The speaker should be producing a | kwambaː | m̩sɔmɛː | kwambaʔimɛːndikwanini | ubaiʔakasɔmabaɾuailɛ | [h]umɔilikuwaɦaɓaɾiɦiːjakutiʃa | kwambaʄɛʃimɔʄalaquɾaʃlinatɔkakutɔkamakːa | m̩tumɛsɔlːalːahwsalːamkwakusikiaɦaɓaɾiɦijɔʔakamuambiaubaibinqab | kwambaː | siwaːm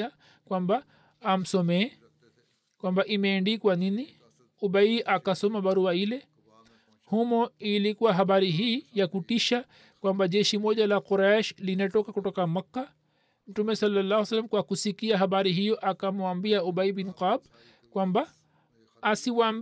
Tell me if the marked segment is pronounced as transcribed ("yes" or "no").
yes